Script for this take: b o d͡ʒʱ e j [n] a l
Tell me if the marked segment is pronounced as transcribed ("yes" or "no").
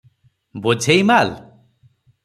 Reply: no